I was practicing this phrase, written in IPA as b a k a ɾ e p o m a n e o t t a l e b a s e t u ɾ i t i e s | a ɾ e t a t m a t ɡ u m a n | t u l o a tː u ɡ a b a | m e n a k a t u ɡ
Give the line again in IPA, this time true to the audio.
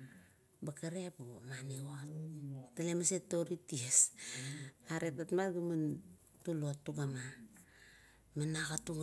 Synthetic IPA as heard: b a k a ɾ e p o m a n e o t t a l e m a s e t o ɾ i t i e s | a ɾ e t a t m a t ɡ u m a n | t u l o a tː u ɡ a m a | m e n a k a t u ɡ